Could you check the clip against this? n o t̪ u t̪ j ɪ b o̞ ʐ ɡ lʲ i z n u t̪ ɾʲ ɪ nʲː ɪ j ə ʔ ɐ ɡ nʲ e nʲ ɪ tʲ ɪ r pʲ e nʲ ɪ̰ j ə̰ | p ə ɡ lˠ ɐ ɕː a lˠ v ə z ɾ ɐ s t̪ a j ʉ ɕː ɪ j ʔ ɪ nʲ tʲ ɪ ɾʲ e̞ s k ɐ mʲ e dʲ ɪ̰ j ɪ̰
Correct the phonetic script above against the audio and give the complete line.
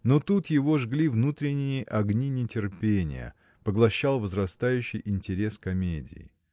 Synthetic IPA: n o t̪ u t̪ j ɪ v o̞ ʐ ɡ lʲ i v n u t̪ ɾʲ ɪ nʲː ɪ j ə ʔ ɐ ɡ nʲ i nʲ ɪ tʲ ɪ r pʲ e nʲ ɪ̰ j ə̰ | p ə ɡ lˠ ɐ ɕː a lˠ v ə z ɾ ɐ s t̪ a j ʉ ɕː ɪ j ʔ ɪ nʲ tʲ ɪ ɾʲ e̞ s k ɐ mʲ e dʲ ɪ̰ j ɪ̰